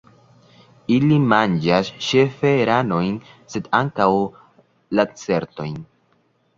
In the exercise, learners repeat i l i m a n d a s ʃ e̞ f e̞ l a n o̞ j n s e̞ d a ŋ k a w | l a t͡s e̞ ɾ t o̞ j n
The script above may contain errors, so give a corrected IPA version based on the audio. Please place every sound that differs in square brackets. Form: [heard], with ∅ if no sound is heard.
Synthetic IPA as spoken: i l i m a n [d͡ʒ] a s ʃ e̞ f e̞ [ɾ] a n o̞ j n s e̞ d a ŋ k a w | l a t͡s e̞ ɾ t o̞ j n